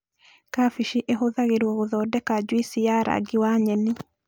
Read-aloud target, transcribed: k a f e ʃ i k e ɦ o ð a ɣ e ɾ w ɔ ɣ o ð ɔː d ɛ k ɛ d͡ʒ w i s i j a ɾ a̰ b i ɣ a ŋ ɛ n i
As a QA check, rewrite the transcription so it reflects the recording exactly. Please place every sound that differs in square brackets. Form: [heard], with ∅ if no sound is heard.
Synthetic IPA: k a f [i] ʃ i [ʔ] e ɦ o ð a ɣ e ɾ w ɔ ɣ o ð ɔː d ɛ k [a] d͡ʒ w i s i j a ɾ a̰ [ɡ] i [w] a [ɲ] ɛ n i